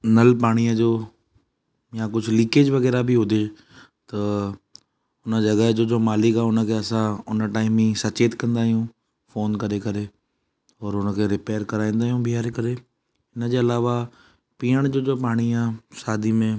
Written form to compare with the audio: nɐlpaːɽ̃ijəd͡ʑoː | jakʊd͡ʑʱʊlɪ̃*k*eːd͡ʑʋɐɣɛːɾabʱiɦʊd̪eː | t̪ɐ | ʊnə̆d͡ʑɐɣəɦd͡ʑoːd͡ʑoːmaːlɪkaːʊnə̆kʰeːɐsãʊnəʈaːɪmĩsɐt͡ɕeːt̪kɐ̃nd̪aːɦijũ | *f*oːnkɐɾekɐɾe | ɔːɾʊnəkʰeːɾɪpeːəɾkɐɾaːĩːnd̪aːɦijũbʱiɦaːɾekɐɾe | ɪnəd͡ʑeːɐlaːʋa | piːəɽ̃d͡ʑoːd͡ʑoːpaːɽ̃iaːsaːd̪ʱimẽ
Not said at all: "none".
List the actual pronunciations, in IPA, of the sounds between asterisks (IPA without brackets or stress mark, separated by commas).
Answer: k, f